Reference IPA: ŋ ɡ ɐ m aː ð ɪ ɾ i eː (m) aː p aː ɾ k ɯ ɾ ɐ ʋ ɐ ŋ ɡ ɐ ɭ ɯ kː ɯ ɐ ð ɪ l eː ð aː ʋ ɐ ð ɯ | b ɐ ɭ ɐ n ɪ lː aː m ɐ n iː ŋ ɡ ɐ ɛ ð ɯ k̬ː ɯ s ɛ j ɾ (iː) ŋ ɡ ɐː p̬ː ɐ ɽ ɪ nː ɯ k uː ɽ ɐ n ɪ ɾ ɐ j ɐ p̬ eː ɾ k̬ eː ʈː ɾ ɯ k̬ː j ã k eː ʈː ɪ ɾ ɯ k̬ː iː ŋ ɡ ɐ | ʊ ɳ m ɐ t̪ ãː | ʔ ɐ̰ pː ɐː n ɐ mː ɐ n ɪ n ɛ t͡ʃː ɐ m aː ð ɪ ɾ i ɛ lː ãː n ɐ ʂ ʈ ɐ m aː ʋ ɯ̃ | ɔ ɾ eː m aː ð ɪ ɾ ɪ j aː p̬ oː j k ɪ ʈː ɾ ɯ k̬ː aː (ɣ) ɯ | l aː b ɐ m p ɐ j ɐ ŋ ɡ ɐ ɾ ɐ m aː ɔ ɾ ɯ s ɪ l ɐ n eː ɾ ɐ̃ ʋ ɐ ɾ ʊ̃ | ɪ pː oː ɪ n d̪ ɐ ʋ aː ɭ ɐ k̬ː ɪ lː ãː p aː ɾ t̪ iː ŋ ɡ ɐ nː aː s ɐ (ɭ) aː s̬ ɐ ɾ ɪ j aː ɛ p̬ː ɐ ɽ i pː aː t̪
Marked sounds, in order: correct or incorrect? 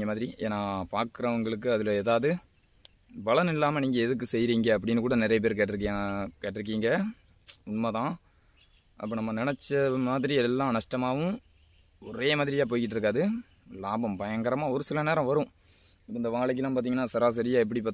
incorrect: n, correct, incorrect: ð, incorrect: ɾ

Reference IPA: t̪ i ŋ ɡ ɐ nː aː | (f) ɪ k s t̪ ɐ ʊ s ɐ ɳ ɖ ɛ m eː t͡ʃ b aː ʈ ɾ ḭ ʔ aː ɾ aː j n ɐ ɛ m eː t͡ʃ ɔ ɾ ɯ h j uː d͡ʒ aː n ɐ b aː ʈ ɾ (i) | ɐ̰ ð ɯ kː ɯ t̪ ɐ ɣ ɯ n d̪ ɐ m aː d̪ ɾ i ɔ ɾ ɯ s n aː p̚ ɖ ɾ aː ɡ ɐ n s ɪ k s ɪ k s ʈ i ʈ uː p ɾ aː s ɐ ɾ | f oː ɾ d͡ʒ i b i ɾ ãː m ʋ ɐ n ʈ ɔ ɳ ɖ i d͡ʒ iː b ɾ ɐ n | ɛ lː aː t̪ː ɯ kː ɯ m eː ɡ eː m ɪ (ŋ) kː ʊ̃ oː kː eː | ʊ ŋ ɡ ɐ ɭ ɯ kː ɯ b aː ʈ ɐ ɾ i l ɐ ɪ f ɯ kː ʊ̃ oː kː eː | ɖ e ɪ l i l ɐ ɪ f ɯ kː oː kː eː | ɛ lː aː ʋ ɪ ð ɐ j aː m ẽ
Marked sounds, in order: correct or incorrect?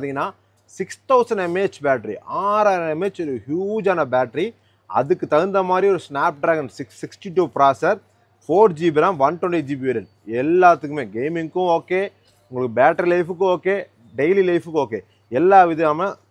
incorrect: s, correct, correct

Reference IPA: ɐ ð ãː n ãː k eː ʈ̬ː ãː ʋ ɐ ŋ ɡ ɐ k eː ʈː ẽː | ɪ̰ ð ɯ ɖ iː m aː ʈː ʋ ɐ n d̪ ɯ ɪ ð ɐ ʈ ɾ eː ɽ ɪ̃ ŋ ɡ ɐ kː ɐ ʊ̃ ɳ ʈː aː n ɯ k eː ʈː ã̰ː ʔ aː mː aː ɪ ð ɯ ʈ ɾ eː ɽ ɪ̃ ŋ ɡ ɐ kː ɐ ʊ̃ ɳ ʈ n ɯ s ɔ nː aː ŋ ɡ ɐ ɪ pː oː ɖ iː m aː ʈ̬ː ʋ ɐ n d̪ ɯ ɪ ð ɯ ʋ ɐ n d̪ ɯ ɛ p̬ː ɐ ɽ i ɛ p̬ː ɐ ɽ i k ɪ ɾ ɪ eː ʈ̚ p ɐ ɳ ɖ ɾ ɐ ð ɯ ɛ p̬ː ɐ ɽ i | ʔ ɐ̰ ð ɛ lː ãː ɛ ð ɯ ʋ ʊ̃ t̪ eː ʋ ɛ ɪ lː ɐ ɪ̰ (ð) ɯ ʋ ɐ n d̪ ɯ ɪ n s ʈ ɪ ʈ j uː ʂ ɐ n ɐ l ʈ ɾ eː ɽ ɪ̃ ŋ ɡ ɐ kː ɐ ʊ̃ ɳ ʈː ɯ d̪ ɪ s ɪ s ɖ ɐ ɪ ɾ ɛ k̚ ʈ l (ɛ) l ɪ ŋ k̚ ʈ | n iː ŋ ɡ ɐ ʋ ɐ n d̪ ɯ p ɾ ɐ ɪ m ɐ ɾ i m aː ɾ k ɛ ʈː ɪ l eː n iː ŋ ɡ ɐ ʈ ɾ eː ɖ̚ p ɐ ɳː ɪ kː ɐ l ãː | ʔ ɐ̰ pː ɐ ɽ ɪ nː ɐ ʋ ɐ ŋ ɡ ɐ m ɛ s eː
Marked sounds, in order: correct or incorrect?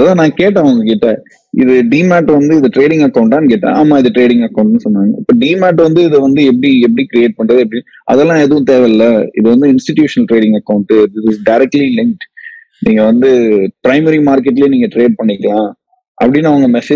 correct, incorrect: i

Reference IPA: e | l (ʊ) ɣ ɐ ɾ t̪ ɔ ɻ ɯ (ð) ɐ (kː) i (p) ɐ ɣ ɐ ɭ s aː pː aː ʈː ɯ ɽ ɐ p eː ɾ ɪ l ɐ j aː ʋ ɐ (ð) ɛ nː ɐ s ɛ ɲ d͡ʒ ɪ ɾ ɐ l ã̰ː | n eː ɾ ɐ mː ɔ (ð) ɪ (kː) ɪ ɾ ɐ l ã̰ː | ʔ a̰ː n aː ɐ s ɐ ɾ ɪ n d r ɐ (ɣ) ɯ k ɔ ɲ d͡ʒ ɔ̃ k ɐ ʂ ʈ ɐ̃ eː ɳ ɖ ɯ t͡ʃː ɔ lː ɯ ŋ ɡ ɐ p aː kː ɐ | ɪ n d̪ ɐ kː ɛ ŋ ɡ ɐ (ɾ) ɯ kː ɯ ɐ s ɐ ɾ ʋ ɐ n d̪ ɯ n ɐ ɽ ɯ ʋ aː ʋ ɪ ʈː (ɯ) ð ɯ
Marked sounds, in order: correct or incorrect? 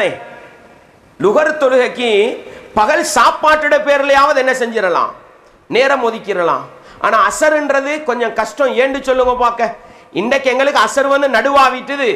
correct, incorrect: ɣ, correct, correct, correct, correct, correct, incorrect: ð, incorrect: ɭ, correct

